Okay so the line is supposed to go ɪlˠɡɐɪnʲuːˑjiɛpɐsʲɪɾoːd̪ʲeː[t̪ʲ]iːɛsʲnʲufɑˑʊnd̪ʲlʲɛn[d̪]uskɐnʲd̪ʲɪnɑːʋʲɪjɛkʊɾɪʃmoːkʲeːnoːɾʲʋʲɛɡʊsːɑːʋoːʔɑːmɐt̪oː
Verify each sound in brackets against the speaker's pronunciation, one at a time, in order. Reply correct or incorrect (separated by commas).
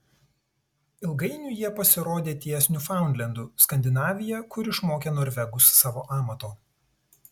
correct, correct